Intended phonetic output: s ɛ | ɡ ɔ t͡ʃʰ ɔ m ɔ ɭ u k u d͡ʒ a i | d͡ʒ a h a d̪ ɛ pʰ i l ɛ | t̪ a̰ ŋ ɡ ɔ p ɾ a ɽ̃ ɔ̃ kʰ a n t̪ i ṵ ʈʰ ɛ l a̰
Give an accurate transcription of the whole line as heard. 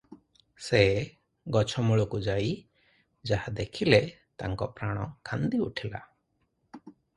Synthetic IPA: s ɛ | ɡ ɔ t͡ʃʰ ɔ m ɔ ɭ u k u d͡ʒ a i | d͡ʒ a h a d̪ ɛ kʰ i l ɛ | t̪ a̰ ŋ k ɔ p ɾ a ɽ̃ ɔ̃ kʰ a n d̪ i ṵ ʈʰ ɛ l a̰